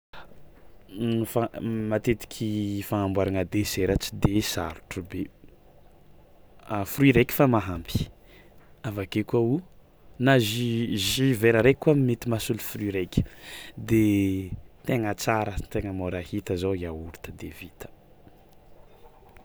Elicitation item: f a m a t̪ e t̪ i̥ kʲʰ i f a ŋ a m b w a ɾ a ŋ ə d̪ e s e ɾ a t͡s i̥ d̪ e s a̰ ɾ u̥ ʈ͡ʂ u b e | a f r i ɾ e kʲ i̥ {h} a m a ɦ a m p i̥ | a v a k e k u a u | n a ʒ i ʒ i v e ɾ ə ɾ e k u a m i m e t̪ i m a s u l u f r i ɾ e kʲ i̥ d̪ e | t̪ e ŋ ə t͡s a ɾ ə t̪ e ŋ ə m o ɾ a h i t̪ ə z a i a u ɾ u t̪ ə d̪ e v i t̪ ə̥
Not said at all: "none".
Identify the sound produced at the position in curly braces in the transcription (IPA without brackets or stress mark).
f